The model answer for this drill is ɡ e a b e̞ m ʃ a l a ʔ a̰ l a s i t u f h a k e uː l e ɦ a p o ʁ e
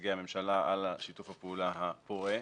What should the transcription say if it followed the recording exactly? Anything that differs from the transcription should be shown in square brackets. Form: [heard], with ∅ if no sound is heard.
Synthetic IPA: ɡ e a [m] e̞ m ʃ a l a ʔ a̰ l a [ʃ] i t u f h a [p] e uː l [a] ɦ a p o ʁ e